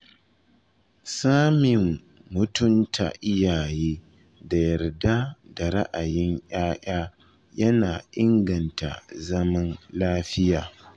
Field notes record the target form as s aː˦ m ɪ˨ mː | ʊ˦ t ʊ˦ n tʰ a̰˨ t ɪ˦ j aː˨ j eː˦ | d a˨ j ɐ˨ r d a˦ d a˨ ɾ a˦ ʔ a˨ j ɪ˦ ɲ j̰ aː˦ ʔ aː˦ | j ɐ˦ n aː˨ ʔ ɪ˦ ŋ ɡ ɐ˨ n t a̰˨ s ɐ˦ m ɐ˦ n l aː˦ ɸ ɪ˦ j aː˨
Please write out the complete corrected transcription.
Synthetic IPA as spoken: s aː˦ m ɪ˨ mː | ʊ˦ t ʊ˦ n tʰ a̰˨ ʔ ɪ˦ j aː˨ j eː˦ | d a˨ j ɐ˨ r d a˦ d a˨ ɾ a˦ ʔ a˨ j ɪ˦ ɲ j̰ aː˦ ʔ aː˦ | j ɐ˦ n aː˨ ʔ ɪ˦ ŋ ɡ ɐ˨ n t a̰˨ z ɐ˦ m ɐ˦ n l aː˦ ɸ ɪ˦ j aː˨

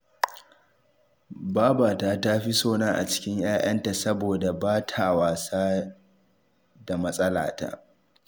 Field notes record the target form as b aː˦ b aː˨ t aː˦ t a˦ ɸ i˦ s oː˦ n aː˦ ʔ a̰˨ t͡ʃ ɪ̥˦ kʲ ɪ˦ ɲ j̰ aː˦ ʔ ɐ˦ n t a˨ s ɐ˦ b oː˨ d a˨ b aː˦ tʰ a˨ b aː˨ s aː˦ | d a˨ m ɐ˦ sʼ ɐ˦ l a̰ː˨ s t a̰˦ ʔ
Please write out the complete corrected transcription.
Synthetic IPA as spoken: b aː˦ b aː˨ t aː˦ t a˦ ɸ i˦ s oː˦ n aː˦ ʔ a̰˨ t͡ʃ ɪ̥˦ kʲ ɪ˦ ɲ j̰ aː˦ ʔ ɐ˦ n t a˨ s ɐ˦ b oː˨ d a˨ b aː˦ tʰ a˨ w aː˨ s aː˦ | d a˨ m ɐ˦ sʼ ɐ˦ l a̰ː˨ t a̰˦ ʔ

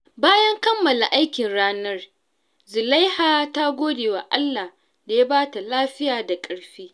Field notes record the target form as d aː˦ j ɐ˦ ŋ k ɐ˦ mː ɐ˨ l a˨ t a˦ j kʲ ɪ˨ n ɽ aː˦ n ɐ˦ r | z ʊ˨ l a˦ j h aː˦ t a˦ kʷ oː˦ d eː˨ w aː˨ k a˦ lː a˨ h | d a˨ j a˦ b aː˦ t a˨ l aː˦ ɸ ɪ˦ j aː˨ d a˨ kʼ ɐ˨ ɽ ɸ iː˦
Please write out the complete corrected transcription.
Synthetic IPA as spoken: b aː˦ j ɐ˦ ŋ k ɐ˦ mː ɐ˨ l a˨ ʔ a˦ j kʲ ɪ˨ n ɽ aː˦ n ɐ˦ r | z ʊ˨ l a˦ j h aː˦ t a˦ ɡʷ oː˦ d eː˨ w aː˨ ʔ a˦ lː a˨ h | d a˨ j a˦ b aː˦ t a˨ l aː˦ ɸ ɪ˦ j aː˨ d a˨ kʼ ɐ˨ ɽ ɸ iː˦

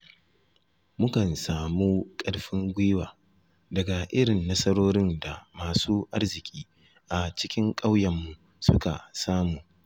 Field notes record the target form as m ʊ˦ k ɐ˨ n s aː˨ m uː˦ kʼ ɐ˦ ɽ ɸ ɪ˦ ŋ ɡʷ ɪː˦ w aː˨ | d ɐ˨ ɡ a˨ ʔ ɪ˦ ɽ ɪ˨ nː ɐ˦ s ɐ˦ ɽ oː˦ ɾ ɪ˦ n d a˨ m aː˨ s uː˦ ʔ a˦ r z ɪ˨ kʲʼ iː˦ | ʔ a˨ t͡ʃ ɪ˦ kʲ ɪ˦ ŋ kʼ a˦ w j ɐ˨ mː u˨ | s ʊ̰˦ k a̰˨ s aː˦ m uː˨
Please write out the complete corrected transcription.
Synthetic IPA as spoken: m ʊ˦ k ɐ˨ n s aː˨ m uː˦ kʼ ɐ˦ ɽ ɸ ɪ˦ ŋ ɡʷ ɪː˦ w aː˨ | d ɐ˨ ɡ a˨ ʔ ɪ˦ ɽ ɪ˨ nː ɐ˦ s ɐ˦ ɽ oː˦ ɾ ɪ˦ n d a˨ m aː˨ s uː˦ ʔ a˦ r z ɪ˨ kʲʼ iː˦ | ʔ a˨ t͡ʃ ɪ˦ kʲ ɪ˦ ŋ kʼ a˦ w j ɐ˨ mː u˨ | s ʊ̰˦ k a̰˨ s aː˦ m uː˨

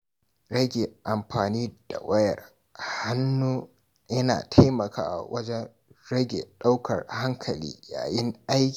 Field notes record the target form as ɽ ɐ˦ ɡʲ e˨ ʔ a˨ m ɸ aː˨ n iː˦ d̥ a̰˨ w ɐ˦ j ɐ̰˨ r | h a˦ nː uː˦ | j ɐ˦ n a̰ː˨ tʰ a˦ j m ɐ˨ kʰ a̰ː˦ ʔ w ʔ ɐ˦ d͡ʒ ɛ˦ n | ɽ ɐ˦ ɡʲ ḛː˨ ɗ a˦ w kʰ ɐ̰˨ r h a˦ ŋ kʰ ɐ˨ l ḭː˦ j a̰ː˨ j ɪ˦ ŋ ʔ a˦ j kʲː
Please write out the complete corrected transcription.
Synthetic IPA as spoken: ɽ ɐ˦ ɡʲ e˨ ʔ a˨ m ɸ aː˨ n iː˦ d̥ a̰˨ w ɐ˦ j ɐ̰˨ r | h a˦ nː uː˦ | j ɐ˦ n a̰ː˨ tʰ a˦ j m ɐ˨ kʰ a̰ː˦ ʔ w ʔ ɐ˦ d͡ʒ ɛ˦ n | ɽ ɐ˦ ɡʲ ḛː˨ ɗ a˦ w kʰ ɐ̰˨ r h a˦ ŋ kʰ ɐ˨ l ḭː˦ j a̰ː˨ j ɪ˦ ŋ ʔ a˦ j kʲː

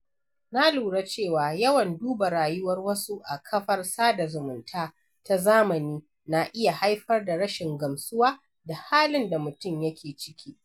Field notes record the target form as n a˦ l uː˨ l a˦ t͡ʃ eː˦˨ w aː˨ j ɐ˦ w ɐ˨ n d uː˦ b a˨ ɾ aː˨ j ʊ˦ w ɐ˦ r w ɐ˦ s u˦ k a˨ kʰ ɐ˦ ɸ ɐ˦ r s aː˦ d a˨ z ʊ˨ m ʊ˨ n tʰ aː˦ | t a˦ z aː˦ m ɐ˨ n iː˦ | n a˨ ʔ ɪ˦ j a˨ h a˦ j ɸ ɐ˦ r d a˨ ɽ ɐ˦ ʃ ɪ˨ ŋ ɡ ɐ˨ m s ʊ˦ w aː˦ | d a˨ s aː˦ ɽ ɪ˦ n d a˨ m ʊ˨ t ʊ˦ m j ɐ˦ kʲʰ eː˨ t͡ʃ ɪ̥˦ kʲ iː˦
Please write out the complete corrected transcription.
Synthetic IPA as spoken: n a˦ l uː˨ ɽ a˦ t͡ʃ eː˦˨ w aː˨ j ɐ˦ w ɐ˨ n d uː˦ b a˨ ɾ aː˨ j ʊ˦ w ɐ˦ r w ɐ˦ s u˦ ʔ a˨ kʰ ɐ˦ ɸ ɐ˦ r s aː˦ d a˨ z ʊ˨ m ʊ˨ n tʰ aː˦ | t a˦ z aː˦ m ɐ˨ n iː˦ | n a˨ ʔ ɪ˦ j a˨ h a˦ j ɸ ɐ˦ r d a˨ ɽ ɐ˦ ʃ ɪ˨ ŋ ɡ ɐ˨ m s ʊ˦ w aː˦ | d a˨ h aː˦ l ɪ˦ n d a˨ m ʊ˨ t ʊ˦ m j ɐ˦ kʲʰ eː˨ t͡ʃ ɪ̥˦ kʲ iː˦

